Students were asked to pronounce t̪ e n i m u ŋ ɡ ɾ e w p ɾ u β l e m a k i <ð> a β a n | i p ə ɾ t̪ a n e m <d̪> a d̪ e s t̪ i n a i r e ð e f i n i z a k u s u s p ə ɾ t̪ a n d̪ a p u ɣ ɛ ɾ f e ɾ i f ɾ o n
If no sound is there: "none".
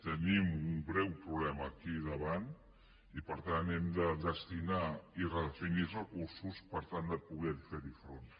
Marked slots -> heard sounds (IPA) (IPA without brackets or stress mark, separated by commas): ð, d̪